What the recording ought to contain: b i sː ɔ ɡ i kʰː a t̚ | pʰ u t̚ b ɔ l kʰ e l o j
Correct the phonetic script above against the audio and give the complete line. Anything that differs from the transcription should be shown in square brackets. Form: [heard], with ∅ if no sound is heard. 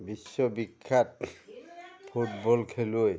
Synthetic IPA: b i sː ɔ [b] i kʰː a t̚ | pʰ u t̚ b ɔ l kʰ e l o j